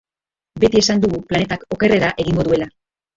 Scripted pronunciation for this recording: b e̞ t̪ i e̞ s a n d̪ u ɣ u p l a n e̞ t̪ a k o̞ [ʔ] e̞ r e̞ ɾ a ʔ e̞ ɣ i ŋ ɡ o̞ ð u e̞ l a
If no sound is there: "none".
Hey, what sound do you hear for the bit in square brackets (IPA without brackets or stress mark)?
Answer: k